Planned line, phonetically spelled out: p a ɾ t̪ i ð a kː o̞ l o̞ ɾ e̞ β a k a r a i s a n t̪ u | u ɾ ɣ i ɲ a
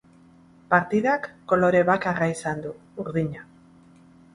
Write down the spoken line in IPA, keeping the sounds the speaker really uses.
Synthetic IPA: p a ɾ t̪ i ð a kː o̞ l o̞ ɾ e̞ β a k a r a i s a n d̪ u | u ɾ ð i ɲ a